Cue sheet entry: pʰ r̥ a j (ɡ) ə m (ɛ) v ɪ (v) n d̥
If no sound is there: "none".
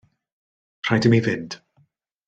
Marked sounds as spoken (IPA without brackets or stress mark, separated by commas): d, i, none